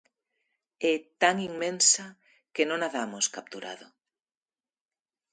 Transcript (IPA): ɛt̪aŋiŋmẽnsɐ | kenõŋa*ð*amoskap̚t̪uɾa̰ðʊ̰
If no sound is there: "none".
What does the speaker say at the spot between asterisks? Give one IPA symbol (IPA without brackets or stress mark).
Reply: ð